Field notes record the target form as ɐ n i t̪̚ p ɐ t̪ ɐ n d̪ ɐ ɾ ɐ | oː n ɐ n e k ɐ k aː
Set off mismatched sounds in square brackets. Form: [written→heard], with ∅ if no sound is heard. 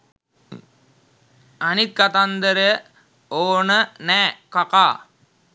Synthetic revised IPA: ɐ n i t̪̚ [p→k] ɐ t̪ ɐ n d̪ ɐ ɾ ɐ | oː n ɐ n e k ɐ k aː